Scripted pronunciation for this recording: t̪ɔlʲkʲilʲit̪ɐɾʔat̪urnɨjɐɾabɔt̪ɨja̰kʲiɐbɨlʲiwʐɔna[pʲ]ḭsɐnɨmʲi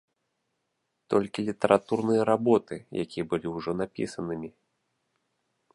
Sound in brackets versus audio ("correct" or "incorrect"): correct